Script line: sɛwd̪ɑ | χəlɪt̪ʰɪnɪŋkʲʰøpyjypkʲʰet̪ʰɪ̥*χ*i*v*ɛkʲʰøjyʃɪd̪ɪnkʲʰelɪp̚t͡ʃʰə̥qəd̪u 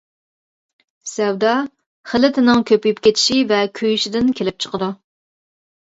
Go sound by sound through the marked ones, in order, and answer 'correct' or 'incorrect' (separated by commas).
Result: incorrect, correct